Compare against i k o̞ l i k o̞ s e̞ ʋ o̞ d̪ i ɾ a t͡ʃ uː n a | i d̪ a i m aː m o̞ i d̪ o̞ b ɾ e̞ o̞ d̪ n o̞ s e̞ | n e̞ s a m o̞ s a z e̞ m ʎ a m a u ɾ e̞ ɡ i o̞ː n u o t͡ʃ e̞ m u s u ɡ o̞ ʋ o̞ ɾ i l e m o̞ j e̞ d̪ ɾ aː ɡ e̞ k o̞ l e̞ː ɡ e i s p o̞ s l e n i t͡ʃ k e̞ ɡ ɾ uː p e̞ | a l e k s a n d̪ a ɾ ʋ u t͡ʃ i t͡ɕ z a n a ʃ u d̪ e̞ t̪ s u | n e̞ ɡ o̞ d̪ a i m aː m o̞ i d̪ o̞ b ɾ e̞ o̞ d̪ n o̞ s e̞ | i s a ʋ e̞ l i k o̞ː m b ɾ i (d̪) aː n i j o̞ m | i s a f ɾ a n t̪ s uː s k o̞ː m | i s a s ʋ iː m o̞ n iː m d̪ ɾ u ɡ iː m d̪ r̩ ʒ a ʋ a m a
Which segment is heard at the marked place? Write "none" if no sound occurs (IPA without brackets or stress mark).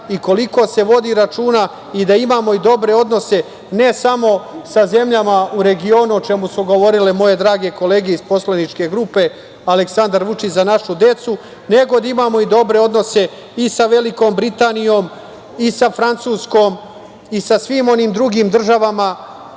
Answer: t̪